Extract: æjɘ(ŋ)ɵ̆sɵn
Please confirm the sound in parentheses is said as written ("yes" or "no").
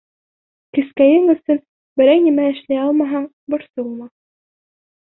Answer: yes